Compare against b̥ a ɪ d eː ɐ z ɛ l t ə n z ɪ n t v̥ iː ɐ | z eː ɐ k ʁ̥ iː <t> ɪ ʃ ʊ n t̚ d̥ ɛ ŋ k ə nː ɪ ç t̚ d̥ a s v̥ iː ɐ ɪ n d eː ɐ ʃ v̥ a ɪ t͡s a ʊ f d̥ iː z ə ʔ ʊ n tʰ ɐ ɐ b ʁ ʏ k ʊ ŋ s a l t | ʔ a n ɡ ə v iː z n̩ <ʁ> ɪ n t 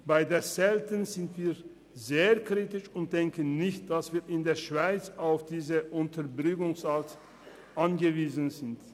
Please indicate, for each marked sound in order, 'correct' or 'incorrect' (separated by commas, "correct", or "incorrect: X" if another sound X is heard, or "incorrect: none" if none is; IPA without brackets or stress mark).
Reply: correct, incorrect: z